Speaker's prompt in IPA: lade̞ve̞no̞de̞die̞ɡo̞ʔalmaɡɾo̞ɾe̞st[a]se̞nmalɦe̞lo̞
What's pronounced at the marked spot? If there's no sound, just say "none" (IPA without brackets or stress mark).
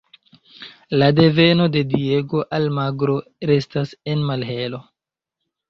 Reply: a